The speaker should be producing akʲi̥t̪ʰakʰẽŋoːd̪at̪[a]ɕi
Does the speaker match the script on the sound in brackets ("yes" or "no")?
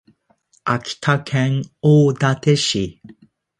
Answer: no